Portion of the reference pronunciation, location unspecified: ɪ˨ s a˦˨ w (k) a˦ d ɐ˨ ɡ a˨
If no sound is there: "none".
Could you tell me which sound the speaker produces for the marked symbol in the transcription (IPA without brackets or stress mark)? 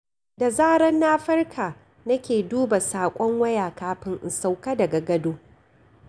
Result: k